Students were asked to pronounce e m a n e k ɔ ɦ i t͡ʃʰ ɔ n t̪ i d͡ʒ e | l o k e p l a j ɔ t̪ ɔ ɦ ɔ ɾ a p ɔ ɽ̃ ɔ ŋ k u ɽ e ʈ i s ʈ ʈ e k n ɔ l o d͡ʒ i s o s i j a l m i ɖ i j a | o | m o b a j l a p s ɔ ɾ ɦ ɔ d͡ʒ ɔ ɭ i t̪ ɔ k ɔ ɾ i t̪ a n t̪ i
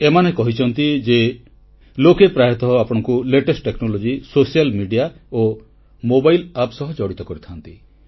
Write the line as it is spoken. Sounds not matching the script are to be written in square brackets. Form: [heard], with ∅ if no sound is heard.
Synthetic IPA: e m a n e k ɔ ɦ i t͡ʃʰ ɔ n t̪ i d͡ʒ e | l o k e p [ɾ] a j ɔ t̪ ɔ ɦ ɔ [∅] a p ɔ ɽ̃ ɔ ŋ k u [l] e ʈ [e] s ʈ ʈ e k n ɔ l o d͡ʒ i s o s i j a l m i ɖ i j a | o | m o b a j l a p s ɔ [∅] ɦ ɔ d͡ʒ ɔ [ɽ] i t̪ ɔ k ɔ ɾ i [t̪ʰ] a n t̪ i